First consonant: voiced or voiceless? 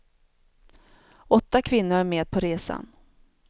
voiceless